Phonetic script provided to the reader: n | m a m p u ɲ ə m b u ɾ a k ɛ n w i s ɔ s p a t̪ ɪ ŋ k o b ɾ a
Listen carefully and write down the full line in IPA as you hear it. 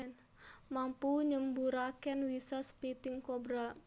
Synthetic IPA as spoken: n | m a m p u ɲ ə m b u ɾ a k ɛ n w i s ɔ s p i t̪ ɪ ŋ k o b ɾ a